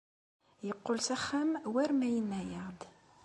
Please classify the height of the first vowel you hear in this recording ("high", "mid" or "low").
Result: mid